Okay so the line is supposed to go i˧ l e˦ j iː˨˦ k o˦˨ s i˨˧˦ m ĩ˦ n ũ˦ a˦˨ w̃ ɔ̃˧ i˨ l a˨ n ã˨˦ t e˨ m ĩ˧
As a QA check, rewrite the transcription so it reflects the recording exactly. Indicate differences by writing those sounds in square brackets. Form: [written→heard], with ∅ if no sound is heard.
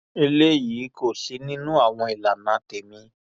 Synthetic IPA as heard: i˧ l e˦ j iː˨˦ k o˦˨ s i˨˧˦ [m→n] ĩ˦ n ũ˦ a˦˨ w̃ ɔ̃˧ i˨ l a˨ n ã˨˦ t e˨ m ĩ˧